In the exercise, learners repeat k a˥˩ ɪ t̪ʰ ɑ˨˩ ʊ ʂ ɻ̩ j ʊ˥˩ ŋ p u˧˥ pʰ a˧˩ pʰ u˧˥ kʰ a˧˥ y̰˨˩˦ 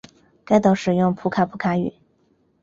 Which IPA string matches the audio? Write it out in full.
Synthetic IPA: k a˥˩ ɪ t̪ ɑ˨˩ ʊ ʂ ɻ̩ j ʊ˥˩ ŋ pʰ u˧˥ kʰ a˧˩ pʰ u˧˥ kʰ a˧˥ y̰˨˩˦